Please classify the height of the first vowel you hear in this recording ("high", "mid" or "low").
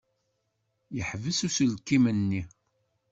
mid